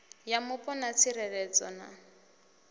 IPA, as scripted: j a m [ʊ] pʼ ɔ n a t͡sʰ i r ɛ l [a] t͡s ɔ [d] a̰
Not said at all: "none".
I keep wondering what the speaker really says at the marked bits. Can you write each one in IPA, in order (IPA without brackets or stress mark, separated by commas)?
ʊ, ɛ, n